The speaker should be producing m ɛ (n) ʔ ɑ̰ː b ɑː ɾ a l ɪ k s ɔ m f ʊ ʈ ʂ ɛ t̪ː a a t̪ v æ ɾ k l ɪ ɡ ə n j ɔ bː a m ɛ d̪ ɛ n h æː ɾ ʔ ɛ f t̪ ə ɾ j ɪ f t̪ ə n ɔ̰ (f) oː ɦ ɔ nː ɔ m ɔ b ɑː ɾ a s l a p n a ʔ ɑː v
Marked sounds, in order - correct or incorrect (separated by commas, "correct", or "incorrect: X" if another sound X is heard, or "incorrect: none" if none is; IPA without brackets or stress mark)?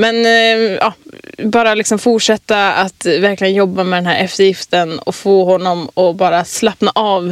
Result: correct, correct